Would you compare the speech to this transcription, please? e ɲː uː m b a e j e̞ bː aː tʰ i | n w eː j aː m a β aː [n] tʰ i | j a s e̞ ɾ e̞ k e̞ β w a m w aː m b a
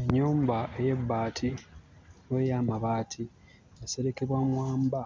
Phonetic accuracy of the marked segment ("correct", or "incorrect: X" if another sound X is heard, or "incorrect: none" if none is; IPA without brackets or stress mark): incorrect: none